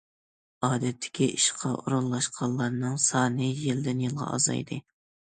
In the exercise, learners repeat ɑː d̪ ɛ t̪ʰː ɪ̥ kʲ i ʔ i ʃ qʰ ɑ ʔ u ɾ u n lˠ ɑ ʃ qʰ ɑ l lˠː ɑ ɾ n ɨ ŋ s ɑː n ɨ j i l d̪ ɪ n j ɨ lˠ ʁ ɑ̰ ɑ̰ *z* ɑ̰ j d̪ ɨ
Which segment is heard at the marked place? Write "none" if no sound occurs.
z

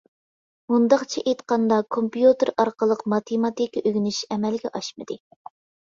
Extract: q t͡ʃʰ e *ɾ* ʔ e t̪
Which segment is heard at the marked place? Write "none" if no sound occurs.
none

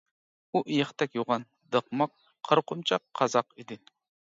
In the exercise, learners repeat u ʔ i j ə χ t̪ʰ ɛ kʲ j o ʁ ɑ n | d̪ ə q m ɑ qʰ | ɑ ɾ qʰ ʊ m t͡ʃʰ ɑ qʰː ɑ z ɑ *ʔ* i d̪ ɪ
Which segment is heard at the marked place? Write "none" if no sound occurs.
q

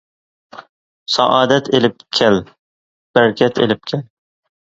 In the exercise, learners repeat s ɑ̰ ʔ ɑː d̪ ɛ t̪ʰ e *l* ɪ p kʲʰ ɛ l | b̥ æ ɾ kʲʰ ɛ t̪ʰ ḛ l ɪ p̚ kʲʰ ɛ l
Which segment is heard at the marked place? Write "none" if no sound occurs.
l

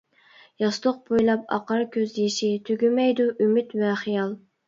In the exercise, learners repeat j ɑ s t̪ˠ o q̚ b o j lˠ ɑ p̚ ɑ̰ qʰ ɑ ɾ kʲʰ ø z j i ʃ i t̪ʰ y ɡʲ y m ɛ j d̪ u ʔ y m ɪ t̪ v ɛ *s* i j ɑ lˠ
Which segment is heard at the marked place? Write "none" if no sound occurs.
χ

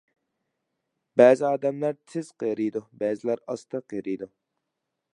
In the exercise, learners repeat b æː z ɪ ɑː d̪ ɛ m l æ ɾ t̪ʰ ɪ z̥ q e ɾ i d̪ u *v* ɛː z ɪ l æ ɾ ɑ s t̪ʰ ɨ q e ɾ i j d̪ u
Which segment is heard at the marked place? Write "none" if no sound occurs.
b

